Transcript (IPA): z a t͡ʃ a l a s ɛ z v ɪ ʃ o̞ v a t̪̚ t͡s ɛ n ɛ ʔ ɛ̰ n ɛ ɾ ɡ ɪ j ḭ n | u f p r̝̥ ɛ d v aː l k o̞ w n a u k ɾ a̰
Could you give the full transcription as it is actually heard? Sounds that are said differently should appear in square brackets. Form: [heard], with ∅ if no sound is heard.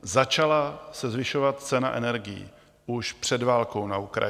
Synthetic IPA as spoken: z a t͡ʃ a l a s ɛ z v ɪ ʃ o̞ v a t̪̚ t͡s ɛ n [a] ʔ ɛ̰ n ɛ ɾ ɡ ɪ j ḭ [∅] | u [ʃ] p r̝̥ ɛ d v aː l k o̞ w n a u k ɾ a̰